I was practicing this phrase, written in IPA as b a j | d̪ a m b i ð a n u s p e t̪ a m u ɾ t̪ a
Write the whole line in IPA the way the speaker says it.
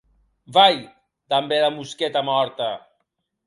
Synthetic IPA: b a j | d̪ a m b e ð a m u s k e t̪ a m ɔ ɾ t̪ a